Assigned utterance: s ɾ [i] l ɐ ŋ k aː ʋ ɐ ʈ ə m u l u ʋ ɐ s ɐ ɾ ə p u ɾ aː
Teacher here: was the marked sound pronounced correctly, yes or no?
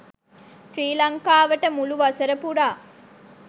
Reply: no